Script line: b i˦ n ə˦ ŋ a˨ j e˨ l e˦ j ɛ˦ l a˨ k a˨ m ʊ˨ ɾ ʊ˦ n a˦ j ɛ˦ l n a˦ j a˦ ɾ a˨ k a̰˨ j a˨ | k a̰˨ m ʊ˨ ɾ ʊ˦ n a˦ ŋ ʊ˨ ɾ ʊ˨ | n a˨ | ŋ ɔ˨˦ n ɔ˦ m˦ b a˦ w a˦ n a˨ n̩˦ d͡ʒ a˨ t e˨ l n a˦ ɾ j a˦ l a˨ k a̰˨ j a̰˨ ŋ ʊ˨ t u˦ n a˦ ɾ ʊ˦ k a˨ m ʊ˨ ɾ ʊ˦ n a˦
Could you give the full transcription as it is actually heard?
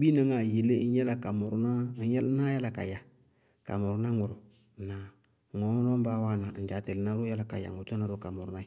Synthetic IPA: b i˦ n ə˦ ŋ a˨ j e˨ l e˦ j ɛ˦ l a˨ k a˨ m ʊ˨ ɾ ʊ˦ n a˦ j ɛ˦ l n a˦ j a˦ l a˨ k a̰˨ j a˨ | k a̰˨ m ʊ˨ ɾ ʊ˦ n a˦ ŋ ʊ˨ ɾ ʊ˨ | n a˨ | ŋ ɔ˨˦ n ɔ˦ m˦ b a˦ w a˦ n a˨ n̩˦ d͡ʒ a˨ t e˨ l n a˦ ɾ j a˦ l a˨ k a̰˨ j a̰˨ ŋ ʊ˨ t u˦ n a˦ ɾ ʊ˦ k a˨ m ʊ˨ ɾ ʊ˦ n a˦

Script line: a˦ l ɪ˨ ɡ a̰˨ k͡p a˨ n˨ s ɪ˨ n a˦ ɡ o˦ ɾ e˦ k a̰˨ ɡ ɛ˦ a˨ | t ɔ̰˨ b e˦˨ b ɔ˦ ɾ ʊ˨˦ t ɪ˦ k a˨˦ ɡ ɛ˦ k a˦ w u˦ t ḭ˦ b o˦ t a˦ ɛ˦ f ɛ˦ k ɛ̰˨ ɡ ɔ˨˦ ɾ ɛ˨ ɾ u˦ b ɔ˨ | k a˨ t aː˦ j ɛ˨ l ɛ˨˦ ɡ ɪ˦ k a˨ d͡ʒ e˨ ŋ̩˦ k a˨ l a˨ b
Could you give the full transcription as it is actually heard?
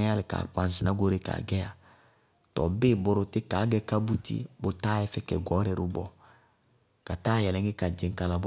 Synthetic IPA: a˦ l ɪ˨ k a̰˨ k͡p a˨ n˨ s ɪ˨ n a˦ ɡ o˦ ɾ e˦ k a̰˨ ɡ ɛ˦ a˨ | t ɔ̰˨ b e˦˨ b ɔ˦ ɾ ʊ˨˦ t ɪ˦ k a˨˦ ɡ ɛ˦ k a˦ b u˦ t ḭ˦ b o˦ t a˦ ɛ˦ f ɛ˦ k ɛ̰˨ ɡ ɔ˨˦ ɾ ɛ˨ ɾ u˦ b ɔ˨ | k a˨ t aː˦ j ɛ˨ l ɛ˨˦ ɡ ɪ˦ k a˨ d͡ʒ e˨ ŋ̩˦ k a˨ l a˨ b

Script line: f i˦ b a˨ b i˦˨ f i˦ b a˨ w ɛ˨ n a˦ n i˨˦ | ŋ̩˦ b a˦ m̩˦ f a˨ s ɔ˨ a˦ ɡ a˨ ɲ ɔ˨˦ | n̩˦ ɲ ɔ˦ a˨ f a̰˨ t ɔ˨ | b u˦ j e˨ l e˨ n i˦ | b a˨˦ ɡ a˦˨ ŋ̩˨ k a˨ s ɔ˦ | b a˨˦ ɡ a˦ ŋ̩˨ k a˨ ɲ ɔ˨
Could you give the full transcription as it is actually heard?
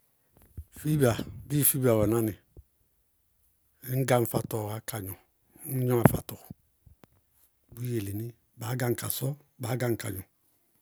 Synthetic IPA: f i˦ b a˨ b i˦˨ f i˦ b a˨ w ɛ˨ n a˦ n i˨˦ | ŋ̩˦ ɡ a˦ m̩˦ f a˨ t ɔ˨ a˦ k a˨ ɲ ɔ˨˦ | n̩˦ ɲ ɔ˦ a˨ f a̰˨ t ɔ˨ | b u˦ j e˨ l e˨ n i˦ | b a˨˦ ɡ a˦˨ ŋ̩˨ k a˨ s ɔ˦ | b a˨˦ ɡ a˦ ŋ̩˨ k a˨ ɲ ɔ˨

